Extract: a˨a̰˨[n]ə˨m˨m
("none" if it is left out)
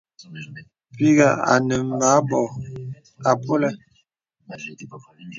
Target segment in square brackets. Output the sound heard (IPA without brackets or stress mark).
n